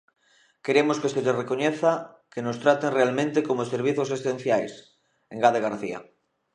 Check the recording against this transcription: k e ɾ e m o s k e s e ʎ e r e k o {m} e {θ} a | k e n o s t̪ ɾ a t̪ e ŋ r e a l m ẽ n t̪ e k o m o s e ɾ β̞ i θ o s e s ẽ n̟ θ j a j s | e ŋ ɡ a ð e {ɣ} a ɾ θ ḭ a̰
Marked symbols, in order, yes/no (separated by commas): no, yes, yes